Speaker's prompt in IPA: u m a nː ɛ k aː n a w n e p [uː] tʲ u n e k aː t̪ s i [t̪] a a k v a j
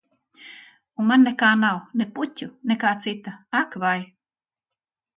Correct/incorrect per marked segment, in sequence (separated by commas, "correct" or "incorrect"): incorrect, correct